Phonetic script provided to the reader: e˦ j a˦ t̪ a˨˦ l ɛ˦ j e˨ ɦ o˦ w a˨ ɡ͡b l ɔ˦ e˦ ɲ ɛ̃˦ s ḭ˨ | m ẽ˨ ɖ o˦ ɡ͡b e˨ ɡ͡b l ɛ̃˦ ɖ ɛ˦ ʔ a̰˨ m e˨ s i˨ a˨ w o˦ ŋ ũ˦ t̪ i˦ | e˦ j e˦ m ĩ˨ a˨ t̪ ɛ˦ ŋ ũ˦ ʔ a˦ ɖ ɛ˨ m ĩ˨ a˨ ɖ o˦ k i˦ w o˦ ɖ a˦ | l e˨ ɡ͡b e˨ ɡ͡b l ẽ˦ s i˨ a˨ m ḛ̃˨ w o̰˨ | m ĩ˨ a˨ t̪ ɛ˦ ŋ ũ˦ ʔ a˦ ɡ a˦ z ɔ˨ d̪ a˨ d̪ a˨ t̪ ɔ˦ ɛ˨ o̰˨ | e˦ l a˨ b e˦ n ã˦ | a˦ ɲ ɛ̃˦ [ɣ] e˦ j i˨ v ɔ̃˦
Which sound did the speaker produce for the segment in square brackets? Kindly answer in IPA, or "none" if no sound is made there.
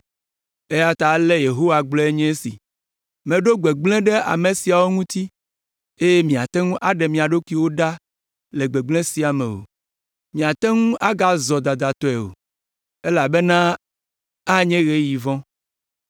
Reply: ɣ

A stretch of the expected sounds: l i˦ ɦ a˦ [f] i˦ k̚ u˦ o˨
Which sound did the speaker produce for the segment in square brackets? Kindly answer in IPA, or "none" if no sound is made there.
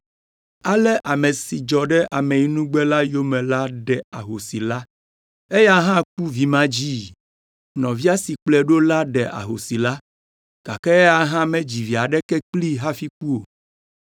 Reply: f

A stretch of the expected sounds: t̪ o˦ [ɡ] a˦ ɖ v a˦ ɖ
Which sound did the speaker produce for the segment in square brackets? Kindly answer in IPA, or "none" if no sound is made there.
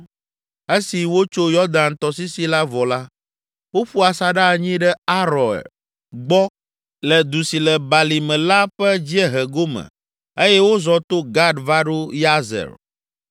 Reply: ɡ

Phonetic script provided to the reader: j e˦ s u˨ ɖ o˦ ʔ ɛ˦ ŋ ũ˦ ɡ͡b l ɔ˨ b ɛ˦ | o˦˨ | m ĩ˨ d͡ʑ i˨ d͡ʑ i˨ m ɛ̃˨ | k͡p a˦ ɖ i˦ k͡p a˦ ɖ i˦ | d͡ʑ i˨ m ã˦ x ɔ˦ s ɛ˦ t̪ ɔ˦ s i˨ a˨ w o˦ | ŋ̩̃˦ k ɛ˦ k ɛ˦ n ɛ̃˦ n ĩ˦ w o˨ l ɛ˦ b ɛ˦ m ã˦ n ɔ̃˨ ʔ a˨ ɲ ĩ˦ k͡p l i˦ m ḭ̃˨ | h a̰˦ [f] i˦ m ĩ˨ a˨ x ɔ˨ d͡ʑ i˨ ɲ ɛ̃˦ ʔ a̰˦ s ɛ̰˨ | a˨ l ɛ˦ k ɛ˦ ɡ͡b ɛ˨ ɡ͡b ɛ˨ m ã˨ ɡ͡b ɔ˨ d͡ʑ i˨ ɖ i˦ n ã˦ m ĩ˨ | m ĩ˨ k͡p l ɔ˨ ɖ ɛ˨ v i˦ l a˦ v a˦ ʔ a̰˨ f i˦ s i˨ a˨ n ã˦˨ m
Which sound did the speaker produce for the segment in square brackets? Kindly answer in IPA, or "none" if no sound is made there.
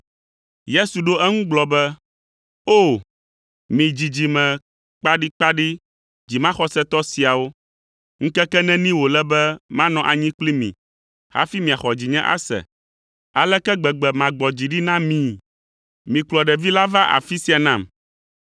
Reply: f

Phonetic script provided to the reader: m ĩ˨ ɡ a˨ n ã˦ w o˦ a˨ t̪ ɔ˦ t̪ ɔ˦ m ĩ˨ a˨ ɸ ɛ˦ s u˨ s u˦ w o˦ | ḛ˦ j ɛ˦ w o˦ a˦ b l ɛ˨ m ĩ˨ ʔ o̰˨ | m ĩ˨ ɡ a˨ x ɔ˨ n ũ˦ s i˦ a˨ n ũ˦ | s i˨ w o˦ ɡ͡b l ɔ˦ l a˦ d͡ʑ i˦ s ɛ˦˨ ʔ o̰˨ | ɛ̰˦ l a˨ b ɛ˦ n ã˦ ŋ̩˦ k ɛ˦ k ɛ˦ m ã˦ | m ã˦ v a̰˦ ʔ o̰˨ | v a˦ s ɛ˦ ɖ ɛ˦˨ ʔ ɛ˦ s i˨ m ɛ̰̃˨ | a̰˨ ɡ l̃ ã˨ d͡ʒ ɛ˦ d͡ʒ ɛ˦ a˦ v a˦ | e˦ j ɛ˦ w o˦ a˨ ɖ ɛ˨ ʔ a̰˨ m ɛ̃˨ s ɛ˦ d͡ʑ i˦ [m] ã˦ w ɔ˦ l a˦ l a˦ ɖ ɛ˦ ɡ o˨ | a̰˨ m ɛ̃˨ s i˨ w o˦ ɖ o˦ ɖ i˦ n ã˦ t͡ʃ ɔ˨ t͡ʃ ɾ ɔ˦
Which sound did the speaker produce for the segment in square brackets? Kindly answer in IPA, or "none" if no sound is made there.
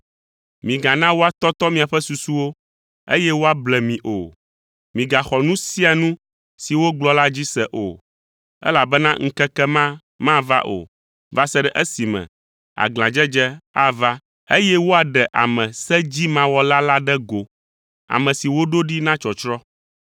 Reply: m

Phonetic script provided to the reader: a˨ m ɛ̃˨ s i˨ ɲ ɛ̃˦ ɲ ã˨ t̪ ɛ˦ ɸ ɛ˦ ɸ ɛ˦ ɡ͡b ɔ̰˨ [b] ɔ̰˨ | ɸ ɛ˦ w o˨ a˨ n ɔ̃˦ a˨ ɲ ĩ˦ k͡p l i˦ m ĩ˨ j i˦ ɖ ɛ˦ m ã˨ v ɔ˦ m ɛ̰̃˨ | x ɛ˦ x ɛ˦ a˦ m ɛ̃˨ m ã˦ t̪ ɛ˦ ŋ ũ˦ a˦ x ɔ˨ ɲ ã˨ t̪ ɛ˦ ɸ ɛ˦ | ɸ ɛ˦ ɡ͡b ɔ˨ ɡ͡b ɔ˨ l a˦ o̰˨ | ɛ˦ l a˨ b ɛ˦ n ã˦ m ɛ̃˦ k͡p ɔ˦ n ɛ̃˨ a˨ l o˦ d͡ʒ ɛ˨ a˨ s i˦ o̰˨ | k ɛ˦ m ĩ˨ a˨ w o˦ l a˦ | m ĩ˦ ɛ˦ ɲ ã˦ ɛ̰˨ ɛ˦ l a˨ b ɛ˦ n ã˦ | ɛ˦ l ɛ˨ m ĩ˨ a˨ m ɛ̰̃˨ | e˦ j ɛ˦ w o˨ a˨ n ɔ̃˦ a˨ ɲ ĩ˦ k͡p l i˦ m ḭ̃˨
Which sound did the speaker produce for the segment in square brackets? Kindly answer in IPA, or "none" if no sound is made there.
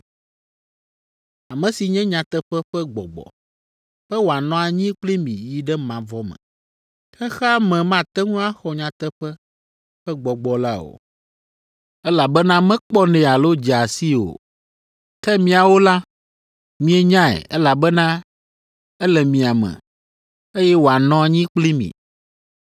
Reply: ɡ͡b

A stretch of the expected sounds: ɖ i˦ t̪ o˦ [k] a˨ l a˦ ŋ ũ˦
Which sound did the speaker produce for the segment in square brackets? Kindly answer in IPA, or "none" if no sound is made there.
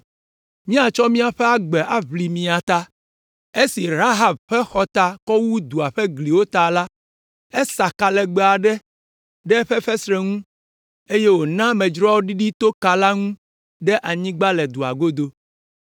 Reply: k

